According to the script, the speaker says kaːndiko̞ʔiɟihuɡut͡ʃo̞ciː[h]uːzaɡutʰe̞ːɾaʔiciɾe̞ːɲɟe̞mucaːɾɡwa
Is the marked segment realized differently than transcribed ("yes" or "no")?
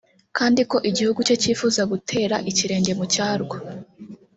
yes